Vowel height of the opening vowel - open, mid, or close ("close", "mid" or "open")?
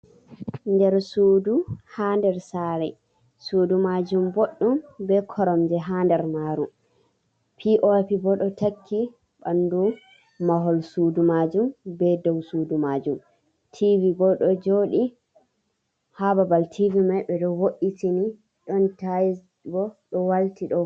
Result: mid